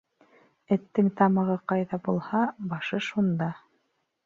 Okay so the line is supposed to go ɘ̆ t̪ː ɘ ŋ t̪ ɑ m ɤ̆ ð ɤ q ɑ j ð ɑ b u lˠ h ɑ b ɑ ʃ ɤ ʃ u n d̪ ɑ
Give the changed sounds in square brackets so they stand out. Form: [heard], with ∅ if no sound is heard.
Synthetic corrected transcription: ɘ̆ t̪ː ɘ ŋ t̪ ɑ m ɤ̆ [ʁ] ɤ q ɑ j ð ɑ b u lˠ h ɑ b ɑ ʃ ɤ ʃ u n d̪ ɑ